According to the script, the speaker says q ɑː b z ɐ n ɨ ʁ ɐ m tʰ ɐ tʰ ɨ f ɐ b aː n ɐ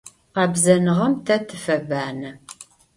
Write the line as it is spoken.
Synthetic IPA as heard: q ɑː b z ɐ n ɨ ʁ ɐ m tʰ ɐ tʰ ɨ f ɐ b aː n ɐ